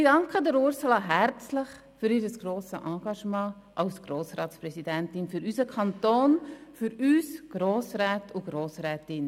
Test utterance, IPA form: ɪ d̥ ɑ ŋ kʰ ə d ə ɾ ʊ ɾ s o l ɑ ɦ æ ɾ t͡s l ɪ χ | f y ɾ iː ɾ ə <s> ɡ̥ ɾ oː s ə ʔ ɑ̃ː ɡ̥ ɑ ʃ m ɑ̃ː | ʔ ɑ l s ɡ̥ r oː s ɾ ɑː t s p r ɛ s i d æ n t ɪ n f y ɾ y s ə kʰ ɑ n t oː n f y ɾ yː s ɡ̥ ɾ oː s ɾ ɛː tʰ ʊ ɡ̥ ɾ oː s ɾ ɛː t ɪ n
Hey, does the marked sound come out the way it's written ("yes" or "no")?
yes